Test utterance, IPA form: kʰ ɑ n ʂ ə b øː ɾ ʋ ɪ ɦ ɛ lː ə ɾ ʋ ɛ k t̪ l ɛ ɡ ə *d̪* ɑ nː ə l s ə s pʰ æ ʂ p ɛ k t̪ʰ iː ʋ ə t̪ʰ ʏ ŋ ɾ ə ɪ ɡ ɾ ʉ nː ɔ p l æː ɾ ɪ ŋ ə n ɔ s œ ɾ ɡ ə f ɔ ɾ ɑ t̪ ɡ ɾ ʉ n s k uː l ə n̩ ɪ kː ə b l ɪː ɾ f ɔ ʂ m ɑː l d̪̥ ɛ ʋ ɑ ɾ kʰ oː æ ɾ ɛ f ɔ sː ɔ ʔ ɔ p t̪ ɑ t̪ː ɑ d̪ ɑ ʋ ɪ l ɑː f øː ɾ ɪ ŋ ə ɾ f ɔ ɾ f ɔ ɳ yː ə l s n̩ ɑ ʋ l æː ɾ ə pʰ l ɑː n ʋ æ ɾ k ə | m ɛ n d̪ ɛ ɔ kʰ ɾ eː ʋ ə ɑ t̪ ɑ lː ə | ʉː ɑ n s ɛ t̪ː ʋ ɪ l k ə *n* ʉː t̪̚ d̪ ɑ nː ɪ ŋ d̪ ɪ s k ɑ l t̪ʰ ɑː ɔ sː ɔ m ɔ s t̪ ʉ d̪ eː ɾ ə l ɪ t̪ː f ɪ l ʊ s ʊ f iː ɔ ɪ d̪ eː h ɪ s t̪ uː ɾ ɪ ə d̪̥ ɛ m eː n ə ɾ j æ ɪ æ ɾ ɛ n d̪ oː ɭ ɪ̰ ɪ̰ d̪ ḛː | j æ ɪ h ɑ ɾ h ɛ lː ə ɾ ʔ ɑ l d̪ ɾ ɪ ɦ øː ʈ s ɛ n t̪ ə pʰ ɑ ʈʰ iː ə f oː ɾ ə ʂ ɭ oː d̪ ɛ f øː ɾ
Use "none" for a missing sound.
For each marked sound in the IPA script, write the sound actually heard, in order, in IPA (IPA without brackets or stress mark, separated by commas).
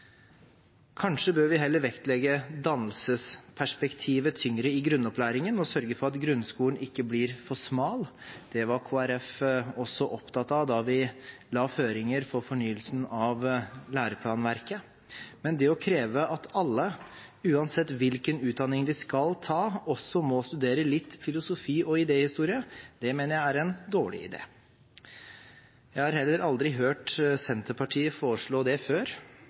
d̪, n